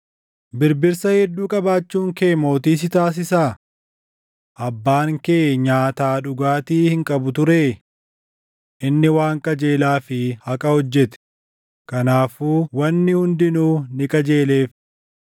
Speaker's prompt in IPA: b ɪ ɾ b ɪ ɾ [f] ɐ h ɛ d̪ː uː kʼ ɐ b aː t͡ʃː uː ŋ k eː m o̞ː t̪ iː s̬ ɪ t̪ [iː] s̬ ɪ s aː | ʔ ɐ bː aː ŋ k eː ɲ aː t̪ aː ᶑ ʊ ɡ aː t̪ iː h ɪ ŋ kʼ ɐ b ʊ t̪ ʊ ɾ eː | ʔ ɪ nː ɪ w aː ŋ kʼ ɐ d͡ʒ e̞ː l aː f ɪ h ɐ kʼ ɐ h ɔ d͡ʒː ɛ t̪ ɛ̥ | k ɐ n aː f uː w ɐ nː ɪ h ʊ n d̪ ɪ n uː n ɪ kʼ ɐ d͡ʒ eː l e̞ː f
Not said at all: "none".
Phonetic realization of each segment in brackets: s, aː

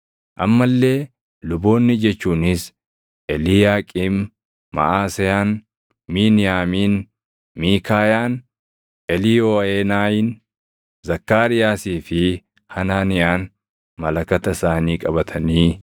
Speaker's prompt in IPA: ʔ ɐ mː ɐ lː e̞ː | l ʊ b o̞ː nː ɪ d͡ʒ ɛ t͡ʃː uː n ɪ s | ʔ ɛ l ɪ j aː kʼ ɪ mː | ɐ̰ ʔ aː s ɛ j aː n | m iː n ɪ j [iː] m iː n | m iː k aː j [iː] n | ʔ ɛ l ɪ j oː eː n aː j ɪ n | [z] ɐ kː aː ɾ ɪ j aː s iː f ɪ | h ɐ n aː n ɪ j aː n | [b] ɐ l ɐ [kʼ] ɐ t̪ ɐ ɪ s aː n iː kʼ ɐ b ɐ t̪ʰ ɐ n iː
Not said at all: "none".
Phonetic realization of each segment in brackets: aː, aː, z, m, k

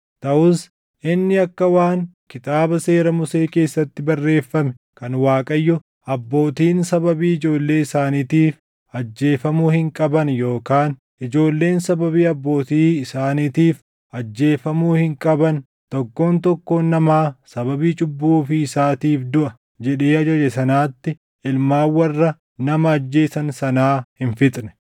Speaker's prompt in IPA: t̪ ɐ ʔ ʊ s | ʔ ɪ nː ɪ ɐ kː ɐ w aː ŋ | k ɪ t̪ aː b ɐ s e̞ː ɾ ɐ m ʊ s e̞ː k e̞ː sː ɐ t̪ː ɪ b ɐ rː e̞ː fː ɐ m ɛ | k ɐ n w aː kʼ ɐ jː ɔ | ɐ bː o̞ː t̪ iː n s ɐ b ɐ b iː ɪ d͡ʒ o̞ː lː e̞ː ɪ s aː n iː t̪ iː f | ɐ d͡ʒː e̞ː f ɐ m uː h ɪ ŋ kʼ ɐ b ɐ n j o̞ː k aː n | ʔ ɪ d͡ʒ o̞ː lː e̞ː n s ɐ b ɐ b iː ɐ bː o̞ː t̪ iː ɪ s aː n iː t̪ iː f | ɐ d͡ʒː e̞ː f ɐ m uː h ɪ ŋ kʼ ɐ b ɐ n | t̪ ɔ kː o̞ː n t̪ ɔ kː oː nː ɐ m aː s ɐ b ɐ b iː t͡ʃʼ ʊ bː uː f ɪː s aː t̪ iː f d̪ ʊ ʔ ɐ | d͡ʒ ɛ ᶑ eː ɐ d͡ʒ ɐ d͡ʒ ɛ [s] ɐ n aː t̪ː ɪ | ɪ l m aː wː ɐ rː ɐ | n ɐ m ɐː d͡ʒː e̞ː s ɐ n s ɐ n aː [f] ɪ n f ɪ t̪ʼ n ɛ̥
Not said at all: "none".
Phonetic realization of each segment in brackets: s, h

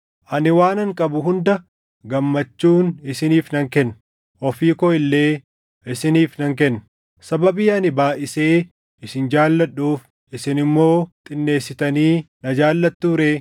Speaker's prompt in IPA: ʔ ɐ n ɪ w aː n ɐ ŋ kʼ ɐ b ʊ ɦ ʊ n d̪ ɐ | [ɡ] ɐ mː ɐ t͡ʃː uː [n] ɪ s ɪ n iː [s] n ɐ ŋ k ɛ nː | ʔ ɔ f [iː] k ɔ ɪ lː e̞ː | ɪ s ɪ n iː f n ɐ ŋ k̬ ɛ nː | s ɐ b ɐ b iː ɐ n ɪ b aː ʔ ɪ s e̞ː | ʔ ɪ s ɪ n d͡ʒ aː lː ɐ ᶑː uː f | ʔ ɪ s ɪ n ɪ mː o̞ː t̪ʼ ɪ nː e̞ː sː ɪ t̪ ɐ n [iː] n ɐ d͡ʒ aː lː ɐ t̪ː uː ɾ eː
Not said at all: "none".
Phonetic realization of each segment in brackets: ɡ, n, f, iː, iː

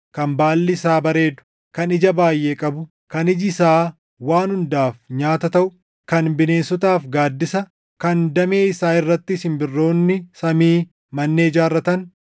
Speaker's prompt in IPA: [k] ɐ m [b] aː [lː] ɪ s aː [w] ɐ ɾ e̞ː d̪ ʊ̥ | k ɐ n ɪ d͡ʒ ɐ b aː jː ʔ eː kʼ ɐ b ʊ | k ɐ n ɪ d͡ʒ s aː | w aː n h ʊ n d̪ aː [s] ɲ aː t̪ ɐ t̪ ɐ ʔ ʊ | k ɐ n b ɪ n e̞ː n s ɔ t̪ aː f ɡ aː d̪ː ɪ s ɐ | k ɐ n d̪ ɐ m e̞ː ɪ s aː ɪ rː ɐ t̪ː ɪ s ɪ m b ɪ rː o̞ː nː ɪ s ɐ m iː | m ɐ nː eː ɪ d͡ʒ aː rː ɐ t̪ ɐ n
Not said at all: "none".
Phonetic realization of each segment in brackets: k, b, lː, b, f

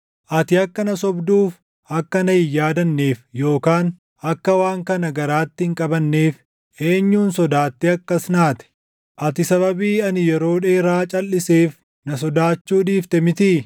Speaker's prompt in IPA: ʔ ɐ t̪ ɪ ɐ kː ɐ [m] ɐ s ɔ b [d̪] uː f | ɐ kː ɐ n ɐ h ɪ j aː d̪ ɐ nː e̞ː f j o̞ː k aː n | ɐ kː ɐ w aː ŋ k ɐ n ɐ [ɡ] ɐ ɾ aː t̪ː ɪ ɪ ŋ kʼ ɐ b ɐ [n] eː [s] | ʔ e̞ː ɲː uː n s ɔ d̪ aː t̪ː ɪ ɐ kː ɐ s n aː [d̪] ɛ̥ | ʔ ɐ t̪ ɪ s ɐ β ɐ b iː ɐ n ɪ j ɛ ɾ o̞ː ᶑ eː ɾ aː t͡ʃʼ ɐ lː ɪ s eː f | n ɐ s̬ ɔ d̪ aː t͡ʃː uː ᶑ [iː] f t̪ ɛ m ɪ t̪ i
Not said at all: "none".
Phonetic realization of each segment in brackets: n, d̪, ɡ, nː, f, t̪, iː

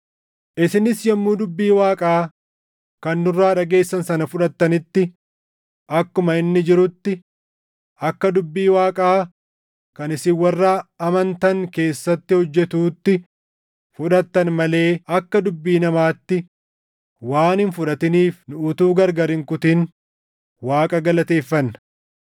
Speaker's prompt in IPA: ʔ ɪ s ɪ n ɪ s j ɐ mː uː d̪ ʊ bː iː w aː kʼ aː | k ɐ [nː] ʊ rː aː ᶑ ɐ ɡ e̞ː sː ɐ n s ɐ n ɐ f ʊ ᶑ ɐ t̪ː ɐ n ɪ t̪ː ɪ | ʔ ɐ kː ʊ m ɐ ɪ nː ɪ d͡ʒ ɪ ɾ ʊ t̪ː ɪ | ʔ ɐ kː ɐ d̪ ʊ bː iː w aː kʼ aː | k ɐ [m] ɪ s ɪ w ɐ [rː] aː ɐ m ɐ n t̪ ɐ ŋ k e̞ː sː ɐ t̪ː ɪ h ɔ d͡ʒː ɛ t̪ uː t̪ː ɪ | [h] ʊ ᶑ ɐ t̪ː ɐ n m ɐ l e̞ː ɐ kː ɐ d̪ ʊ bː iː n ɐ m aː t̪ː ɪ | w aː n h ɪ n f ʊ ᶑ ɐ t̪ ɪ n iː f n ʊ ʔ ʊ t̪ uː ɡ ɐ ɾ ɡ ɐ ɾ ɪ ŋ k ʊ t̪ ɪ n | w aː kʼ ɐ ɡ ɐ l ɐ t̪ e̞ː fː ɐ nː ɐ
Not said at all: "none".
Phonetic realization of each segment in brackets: nː, n, rː, f

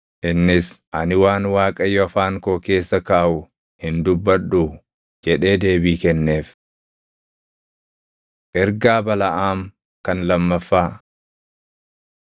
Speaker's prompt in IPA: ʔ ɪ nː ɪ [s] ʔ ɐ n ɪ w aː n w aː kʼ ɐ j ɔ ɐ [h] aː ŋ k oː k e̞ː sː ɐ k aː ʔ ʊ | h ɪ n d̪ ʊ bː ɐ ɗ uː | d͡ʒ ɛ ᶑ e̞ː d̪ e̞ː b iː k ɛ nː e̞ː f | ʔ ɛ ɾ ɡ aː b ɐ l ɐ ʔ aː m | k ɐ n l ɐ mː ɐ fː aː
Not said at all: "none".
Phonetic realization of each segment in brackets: s, f

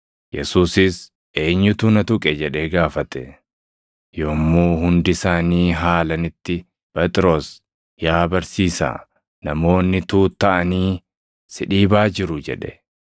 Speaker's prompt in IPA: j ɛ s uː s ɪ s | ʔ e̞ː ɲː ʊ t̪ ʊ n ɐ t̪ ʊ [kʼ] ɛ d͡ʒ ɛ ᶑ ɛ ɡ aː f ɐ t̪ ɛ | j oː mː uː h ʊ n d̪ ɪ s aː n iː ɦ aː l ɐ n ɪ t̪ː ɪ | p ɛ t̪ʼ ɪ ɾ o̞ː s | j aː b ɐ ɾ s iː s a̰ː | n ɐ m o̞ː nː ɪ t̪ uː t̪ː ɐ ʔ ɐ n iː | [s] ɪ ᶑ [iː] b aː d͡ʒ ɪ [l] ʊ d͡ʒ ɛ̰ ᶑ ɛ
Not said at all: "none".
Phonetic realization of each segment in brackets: kʼ, s, iː, ɾ

